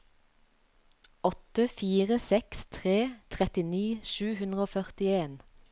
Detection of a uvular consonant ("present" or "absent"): present